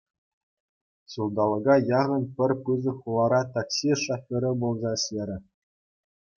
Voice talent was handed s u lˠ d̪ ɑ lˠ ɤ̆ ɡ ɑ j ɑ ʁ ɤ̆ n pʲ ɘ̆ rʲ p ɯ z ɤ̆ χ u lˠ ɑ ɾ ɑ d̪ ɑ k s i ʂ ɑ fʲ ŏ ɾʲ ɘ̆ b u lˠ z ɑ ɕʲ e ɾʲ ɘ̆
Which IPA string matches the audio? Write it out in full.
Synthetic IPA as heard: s u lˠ d̪ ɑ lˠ ɤ̆ ɡ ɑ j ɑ ʁ ɤ̆ n pʲ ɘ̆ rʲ p ɯ z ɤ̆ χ u lˠ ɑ ɾ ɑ t̪ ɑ k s i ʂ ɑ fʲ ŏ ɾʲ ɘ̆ b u lˠ z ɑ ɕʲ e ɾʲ ɘ̆